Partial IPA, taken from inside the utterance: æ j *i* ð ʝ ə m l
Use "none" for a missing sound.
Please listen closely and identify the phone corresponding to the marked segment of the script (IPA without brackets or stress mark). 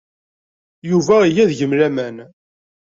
æ